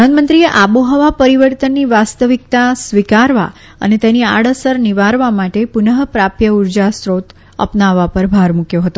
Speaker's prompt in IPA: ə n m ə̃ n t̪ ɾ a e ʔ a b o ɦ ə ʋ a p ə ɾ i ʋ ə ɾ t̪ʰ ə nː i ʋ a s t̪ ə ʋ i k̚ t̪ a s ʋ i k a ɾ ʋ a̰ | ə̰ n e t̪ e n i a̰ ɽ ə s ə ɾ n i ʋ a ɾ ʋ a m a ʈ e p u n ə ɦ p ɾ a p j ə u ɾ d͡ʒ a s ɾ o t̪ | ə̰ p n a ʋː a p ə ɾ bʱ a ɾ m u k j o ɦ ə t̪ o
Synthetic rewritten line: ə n m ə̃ n t̪ ɾ i e ʔ a b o ɦ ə ʋ a p ə ɾ i ʋ ə ɾ t̪ ə nː i ʋ a s t̪ ə ʋ i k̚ t̪ a s ʋ i k a ɾ ʋ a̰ | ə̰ n e t̪ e n i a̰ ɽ ə s ə ɾ n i ʋ a ɾ ʋ a m a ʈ e p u n ə ɦ p ɾ a p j ə u ɾ d͡ʒ a s ɾ o t̪ | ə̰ p n a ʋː a p ə ɾ bʱ a ɾ m u k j o ɦ ə t̪ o